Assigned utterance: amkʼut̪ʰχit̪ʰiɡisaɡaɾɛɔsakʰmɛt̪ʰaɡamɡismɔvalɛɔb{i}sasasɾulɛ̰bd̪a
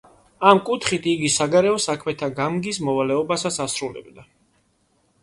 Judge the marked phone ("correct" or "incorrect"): incorrect